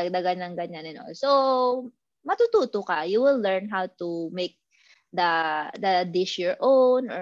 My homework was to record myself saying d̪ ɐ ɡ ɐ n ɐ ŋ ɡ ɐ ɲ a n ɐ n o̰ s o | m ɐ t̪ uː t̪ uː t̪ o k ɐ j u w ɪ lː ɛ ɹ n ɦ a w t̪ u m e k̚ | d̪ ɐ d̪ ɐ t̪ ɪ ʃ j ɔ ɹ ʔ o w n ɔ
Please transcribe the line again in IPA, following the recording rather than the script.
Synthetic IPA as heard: d̪ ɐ ɡ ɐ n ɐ ŋ ɡ ɐ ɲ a n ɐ n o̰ s o | m ɐ t̪ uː t̪ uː t̪ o k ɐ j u w ɪ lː ɛ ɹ n ɦ a w t̪ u m e k̚ | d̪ ɐ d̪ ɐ d̪ ɪ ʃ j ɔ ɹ ʔ o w n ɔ